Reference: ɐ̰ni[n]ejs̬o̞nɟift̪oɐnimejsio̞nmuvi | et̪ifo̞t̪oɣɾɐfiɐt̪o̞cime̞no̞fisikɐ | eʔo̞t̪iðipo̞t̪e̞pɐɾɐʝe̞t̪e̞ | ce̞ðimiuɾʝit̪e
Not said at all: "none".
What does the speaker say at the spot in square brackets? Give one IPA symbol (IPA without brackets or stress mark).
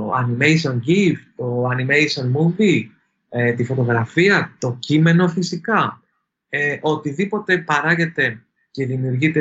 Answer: m